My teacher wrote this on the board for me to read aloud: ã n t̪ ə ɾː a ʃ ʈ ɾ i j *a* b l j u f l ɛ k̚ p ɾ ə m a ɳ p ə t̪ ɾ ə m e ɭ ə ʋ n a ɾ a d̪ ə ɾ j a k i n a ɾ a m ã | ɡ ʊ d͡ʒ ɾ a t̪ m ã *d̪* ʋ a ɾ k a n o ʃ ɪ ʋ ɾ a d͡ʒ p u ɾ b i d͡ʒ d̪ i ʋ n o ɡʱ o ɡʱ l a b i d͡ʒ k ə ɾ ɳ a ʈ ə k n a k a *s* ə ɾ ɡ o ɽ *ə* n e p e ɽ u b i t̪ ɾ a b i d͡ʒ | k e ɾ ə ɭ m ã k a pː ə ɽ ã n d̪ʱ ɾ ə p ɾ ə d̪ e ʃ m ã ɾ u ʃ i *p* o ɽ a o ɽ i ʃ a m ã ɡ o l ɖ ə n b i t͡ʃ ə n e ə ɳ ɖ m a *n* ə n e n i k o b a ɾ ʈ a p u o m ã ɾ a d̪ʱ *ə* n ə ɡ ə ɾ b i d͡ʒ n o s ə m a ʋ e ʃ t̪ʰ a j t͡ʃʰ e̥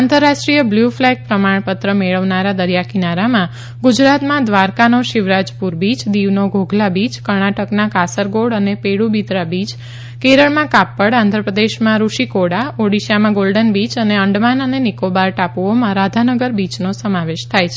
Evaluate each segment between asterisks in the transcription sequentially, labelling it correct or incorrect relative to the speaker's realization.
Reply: incorrect, correct, correct, correct, incorrect, correct, incorrect

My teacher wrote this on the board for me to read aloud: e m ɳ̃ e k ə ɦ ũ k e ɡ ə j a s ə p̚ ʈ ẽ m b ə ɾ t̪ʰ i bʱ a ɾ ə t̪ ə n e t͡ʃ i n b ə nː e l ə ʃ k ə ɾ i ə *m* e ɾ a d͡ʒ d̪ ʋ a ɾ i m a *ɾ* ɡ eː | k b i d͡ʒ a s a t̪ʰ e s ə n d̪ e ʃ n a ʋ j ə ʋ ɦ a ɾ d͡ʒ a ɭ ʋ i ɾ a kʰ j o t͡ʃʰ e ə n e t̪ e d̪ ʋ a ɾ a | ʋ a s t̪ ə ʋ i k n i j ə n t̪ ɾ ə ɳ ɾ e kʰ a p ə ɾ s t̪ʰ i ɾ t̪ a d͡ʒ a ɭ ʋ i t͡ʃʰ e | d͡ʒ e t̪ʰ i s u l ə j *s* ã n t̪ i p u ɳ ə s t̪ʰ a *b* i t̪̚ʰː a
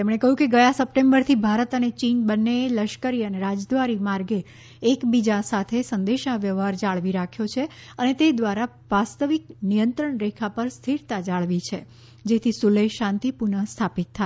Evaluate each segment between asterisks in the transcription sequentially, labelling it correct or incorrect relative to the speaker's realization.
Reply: incorrect, correct, incorrect, incorrect

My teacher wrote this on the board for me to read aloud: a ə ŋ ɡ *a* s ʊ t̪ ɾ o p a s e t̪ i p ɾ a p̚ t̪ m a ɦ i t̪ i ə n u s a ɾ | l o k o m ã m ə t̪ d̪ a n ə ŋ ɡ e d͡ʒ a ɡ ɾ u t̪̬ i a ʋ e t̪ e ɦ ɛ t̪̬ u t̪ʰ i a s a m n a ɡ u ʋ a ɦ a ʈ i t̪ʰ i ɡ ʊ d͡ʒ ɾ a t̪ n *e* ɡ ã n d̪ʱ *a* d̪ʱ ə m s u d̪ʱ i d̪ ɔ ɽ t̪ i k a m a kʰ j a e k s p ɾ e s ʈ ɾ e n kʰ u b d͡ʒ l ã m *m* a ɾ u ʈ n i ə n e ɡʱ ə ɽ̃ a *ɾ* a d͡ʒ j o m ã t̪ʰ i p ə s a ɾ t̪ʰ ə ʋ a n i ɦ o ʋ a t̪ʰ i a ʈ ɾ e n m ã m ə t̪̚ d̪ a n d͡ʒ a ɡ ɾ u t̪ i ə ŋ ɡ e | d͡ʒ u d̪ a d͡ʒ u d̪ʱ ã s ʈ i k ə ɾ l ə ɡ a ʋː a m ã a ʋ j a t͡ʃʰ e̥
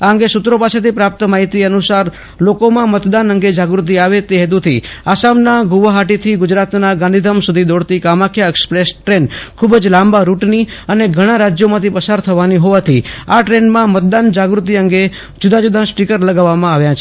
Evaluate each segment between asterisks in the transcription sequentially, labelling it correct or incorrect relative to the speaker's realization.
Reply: incorrect, incorrect, incorrect, incorrect, correct

